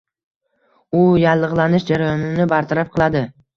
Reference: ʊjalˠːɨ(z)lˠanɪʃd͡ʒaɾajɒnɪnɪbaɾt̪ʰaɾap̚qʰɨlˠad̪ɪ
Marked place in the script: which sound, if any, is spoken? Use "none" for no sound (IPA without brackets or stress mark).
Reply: ʁ